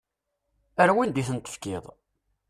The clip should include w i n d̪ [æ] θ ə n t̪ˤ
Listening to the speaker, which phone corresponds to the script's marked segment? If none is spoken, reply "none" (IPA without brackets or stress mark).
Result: i